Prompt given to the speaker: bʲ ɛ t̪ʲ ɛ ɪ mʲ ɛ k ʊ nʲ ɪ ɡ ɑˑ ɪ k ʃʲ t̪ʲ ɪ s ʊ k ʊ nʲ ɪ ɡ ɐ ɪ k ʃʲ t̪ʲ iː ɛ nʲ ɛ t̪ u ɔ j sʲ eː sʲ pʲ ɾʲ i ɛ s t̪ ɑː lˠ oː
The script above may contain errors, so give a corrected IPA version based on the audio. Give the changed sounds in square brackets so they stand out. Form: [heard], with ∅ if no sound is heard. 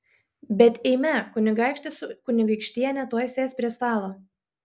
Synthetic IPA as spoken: bʲ ɛ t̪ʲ ɛ ɪ mʲ ɛ k ʊ nʲ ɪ ɡ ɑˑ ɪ k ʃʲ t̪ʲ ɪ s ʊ k ʊ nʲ ɪ ɡ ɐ ɪ k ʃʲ t̪ʲ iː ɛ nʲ ɛ t̪ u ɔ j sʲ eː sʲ pʲ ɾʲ i ɛ s t̪ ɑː lˠ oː